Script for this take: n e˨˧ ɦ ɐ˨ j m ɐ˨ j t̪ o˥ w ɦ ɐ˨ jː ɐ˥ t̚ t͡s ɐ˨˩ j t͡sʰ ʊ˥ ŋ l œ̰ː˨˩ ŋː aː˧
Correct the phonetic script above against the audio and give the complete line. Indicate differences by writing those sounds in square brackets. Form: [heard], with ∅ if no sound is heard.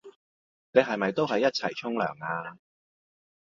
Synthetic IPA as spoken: n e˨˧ ɦ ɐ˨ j m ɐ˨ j t̪ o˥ w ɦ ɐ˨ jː ɐ˥ t̚ [t͡sʰ] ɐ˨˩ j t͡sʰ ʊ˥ ŋ l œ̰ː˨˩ [ŋ] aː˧